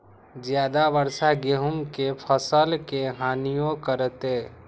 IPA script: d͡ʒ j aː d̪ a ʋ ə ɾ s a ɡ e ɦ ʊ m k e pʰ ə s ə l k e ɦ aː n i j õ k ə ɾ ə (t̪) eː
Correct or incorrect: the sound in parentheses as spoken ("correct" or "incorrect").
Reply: correct